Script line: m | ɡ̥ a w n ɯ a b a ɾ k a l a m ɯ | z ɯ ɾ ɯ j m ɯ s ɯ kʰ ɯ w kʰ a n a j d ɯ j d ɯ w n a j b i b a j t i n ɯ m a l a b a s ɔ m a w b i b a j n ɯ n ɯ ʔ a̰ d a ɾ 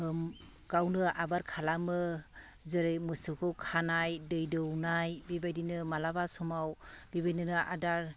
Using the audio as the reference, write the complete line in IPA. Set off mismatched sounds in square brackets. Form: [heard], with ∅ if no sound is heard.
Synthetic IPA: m | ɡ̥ a w n ɯ a b a ɾ [kʰ] a l a m ɯ | z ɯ ɾ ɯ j m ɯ s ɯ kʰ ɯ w kʰ a n a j d ɯ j d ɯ w n a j b i b a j [d] i n ɯ m a l a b a s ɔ m a w b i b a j n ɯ n ɯ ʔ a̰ d a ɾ